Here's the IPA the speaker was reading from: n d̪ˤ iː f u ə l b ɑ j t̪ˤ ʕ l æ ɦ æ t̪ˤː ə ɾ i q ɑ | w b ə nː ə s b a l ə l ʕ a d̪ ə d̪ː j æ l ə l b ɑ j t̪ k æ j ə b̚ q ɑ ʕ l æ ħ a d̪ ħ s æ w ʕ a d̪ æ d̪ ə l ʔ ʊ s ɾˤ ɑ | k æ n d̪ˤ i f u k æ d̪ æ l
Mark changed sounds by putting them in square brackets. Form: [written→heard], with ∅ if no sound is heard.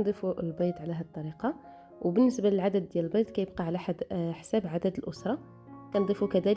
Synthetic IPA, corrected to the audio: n d̪ˤ [iː→i] f u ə l b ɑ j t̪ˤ ʕ l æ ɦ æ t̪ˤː [ə→ɑ] ɾ i q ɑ | w b ə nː ə s b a l ə l ʕ a d̪ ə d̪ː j æ l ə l b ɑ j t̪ k æ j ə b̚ q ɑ ʕ l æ ħ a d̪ ħ s æ [w→b] ʕ a d̪ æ d̪ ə l ʔ ʊ s ɾˤ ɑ | k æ n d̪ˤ i f u k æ d̪ æ l

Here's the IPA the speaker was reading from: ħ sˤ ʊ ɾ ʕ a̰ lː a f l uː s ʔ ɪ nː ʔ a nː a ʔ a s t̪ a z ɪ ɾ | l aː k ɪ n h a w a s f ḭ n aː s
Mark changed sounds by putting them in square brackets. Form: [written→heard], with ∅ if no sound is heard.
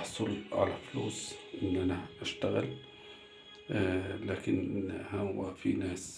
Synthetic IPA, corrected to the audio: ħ sˤ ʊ [ɾ→l] ʕ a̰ [lː→l] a f l uː s ʔ ɪ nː ʔ a [nː→n] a ʔ a [s→ʃ] t̪ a [z→ɣ] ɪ [ɾ→l] | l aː k ɪ n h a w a [s→∅] f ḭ n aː s

